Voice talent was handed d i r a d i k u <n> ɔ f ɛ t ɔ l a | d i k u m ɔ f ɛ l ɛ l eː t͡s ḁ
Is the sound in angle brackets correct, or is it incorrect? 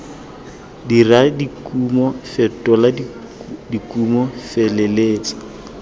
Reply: incorrect